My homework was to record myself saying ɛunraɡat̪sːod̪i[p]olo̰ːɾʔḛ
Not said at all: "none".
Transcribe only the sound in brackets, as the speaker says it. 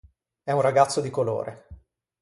k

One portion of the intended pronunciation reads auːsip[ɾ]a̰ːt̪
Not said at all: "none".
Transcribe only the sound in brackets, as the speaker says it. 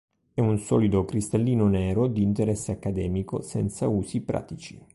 ɾ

